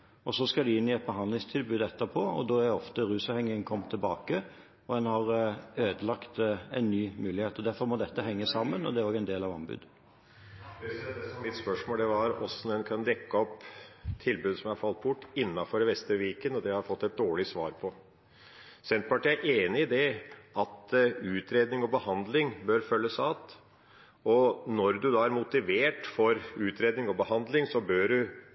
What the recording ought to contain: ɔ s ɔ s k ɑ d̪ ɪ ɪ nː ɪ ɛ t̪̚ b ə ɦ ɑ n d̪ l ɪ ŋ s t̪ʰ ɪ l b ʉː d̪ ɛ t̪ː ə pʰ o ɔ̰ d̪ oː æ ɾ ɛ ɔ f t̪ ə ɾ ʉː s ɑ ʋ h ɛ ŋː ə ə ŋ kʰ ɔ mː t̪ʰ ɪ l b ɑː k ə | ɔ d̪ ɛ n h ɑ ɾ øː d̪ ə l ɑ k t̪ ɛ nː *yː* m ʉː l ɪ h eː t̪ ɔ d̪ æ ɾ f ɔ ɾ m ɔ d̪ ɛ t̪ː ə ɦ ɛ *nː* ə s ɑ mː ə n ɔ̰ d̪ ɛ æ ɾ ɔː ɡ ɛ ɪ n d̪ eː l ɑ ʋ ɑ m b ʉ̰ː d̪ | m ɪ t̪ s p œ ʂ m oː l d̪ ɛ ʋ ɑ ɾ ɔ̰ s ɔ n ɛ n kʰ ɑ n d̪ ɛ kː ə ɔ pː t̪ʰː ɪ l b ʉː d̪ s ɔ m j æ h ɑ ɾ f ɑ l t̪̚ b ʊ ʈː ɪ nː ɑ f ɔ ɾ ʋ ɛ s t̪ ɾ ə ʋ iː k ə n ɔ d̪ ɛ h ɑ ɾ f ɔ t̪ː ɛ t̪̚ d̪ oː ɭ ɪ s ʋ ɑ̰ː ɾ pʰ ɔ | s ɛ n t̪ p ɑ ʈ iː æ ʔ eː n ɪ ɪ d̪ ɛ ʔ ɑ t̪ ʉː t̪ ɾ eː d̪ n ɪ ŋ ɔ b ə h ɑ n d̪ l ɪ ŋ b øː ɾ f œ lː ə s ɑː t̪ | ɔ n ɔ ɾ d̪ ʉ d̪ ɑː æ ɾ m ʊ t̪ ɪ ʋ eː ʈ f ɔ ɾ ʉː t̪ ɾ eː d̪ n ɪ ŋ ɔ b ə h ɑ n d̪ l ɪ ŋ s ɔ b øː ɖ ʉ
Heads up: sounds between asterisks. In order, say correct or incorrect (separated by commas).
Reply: correct, incorrect